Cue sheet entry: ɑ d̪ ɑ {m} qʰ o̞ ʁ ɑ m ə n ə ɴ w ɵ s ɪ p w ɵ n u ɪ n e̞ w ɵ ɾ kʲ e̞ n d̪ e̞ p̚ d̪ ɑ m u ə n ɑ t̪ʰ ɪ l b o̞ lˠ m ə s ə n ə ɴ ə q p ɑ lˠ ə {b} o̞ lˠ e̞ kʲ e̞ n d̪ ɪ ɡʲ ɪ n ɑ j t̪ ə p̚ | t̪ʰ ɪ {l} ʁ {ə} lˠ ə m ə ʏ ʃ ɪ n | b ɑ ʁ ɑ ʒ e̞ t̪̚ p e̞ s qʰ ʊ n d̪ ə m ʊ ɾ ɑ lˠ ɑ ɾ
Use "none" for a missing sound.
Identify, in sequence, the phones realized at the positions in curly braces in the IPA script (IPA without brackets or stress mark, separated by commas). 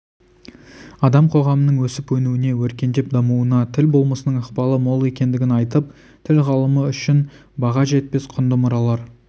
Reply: m, m, l, ɑ